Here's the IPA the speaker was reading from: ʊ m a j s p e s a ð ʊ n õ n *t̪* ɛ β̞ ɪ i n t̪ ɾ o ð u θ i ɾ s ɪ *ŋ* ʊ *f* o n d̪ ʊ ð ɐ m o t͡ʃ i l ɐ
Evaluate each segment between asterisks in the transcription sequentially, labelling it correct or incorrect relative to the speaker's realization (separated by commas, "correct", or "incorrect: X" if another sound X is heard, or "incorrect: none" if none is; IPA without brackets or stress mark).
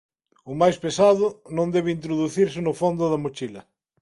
incorrect: d̪, incorrect: n, correct